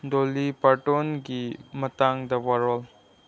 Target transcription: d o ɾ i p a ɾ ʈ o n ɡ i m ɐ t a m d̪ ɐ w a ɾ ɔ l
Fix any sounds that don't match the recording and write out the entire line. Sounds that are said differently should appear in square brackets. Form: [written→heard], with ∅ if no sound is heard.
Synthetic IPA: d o [ɾ→l] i p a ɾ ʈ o n ɡ i m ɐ t a [m→ŋ] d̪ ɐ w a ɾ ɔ l